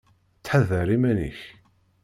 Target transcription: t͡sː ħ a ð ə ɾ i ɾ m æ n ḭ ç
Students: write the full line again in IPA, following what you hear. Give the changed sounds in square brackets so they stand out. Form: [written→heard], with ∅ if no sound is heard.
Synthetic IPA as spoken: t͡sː ħ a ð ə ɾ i [ɾ→∅] m æ n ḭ ç